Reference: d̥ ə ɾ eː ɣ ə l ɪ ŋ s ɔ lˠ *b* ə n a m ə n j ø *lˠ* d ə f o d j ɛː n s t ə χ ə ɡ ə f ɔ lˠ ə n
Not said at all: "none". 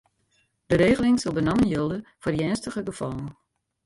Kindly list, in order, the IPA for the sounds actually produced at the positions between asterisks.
b, lˠ

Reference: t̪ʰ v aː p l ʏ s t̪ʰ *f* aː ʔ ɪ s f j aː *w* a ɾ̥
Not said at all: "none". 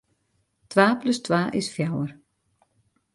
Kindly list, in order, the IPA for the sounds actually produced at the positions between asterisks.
v, w

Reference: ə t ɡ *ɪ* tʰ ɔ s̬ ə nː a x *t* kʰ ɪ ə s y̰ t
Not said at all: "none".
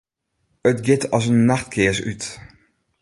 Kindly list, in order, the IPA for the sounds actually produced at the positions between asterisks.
ɪ, t

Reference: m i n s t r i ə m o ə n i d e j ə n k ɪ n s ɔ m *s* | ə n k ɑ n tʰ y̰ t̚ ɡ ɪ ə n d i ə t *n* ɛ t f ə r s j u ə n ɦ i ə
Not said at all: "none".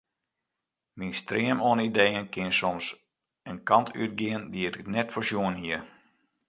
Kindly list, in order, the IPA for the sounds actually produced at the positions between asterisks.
s, n

